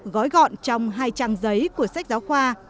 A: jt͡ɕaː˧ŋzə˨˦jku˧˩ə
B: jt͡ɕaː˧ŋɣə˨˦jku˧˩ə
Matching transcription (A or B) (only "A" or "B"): A